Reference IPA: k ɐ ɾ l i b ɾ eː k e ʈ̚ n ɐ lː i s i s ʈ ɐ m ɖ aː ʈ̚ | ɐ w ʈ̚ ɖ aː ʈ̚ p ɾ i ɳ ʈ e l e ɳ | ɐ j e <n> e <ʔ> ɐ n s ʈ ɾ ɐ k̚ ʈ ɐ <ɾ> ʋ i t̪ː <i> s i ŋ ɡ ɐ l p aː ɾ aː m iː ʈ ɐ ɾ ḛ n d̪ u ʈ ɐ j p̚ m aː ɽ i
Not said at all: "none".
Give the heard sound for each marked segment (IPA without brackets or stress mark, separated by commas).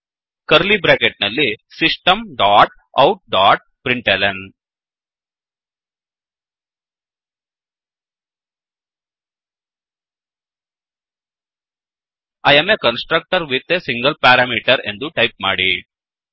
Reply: m, k, ɾ, e